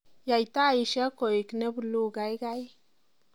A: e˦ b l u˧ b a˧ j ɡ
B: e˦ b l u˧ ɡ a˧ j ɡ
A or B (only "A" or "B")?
B